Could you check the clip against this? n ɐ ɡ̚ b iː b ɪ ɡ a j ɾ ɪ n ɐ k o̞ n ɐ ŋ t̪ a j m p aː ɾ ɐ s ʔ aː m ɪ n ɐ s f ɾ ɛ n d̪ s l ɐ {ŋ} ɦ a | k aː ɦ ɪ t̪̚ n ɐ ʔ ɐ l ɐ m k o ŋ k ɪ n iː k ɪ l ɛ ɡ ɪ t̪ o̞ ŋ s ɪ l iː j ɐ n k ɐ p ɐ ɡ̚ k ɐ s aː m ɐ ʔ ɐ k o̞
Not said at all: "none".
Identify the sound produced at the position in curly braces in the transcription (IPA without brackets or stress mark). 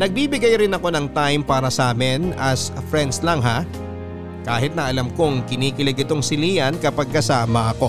ŋ